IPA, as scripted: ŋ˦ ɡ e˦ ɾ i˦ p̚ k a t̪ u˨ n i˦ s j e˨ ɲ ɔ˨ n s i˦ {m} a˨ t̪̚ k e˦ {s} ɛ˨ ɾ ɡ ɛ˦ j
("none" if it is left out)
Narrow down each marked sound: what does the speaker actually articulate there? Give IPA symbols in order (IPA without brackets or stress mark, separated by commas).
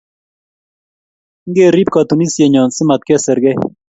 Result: m, s